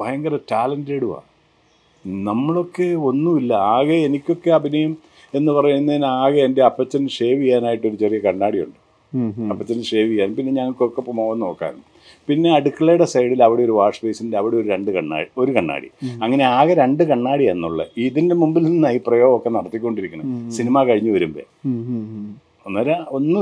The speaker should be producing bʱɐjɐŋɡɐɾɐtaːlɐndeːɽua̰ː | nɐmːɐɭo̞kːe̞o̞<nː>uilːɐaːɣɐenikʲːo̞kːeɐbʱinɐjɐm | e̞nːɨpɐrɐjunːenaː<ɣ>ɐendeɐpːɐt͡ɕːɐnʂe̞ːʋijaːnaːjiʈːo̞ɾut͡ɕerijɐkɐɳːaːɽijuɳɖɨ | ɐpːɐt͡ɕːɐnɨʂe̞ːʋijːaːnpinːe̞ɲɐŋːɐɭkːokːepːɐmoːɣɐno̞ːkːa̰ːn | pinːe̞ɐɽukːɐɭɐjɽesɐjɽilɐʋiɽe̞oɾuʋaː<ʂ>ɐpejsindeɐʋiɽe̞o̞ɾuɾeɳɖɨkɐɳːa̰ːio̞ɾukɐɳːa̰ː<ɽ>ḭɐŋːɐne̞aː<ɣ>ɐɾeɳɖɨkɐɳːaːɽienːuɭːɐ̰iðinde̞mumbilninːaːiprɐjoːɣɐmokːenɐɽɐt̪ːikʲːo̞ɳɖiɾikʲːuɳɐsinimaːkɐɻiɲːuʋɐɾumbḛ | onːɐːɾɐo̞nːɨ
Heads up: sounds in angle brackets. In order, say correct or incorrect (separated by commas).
correct, correct, correct, correct, correct